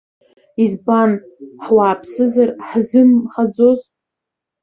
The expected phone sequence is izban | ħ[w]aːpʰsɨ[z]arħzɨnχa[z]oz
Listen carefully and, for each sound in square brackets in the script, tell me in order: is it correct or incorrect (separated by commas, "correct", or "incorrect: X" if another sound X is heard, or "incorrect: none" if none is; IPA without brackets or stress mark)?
correct, correct, incorrect: d͡z